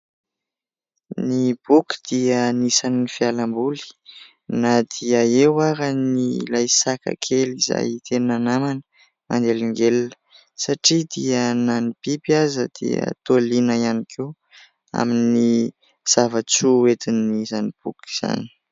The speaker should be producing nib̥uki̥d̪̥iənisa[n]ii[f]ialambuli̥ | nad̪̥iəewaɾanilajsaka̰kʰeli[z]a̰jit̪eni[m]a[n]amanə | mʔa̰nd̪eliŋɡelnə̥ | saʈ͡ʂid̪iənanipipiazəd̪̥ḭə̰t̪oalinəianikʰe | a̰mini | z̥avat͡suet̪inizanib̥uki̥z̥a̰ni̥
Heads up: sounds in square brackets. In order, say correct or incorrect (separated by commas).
correct, correct, correct, incorrect, correct